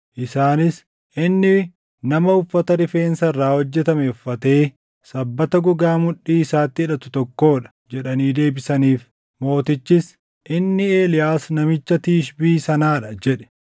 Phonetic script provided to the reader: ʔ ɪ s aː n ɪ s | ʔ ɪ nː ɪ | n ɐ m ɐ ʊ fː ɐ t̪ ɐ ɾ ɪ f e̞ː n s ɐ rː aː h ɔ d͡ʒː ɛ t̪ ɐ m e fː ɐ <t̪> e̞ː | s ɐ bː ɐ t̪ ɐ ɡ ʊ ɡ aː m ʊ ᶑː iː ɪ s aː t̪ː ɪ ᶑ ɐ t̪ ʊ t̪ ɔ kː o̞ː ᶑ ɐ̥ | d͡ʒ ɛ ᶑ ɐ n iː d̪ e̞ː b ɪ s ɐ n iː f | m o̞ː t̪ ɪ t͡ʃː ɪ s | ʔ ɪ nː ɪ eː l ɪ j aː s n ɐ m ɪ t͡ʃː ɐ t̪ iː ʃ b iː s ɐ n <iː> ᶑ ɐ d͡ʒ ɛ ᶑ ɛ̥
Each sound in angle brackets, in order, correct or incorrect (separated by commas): correct, incorrect